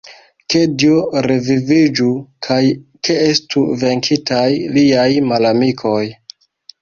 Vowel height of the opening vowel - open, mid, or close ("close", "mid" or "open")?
mid